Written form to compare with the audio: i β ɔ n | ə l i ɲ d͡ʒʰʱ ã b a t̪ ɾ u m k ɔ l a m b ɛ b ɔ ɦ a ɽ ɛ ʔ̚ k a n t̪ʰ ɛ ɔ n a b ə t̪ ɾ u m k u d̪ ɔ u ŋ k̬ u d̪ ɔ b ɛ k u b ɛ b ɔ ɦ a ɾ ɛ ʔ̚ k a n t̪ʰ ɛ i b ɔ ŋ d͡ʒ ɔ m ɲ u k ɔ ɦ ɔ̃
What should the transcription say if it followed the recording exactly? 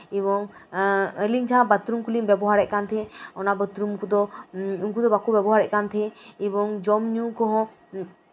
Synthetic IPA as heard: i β ɔ ŋ | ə l i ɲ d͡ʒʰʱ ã b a t̪ ɾ u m k u l i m b ɛ b ɔ ɦ a ɾ ɛ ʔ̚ k a n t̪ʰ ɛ ɔ n a b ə t̪ ɾ u m k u d̪ ɔ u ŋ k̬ u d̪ ɔ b a k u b ɛ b ɔ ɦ a ɾ ɛ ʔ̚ k a n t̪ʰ ɛ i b ɔ ŋ d͡ʒ ɔ m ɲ u k ɔ ɦ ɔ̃

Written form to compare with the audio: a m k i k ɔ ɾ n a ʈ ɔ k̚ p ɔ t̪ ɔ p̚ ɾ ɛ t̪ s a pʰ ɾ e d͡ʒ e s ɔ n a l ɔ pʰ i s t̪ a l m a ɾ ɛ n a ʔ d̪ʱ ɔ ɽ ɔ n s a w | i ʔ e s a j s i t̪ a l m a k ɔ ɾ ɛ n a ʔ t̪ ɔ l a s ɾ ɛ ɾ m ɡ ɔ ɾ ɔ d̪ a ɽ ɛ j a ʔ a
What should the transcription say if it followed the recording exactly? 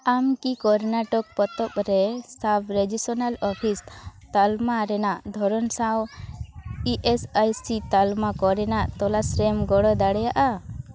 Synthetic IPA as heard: a m k i k ɔ ɾ n a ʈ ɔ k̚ p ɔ t̪ ɔ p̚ ɾ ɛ s a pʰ ɾ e d͡ʒ i s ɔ n a l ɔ pʰ i s t̪ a l m a ɾ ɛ n a ʔ d̪ʱ ɔ ɾ ɔ n s a w | i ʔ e s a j s i t̪ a l m a k ɔ ɾ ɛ n a ʔ t̪ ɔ l a s ɾ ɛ m ɡ ɔ ɽ ɔ d̪ a ɽ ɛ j a ʔ a

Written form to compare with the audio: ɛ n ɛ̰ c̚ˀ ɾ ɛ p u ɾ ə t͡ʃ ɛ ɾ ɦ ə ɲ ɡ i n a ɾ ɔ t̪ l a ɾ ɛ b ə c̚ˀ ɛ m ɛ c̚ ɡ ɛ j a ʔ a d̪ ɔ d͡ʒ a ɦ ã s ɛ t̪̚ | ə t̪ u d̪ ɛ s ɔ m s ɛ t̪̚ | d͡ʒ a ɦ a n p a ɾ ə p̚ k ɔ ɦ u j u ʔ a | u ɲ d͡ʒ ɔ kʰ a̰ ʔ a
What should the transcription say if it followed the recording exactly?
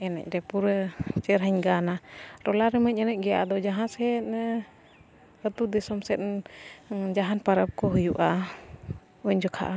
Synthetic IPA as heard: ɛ n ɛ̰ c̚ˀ ɾ ɛ p u ɾ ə t͡ʃ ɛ ɾ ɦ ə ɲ ɡ a n a ɾ ɔ l a ɾ ɛ m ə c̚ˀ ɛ n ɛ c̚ ɡ ɛ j a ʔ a d̪ ɔ d͡ʒ a ɦ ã s ɛ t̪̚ | ə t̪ u d̪ ɛ s ɔ m s ɛ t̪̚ | d͡ʒ a ɦ a n p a ɾ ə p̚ k ɔ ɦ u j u ʔ a | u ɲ d͡ʒ ɔ kʰ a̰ ʔ a

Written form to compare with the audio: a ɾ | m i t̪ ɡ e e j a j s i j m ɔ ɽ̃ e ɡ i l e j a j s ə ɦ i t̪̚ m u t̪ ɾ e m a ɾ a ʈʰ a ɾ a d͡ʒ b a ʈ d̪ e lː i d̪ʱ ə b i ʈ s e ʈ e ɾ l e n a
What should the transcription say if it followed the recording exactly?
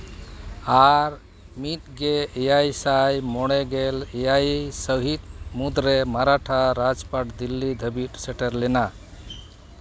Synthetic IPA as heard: a ɾ | m i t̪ ɡ e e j a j s a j m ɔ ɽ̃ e ɡ e l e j a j s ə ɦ i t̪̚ m u d̪ ɾ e m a ɾ a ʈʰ a ɾ a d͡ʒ p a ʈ d̪ i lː i d̪ʱ ə b i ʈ s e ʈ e ɾ l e n a

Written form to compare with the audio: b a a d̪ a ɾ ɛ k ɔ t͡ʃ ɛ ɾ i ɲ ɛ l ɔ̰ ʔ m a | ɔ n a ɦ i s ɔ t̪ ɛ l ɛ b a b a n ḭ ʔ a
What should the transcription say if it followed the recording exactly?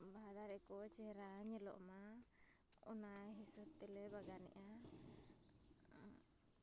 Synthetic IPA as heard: b a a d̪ a ɾ ɛ k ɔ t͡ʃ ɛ ɾ a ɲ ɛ l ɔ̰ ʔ m a | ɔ n a ɦ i s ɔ t̪ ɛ l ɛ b a ɡ a n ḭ ʔ a

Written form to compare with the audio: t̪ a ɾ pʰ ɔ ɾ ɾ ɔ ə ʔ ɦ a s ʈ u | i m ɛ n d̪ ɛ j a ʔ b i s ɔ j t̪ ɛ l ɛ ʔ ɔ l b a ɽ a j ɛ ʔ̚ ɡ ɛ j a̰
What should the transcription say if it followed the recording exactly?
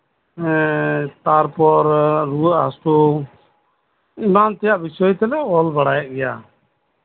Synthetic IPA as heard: t̪ a ɾ p ɔ ɾ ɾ u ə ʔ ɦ a s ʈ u | i m a n t̪ ɛ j a ʔ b i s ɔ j t̪ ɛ l ɛ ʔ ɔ l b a ɽ a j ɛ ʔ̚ ɡ ɛ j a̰

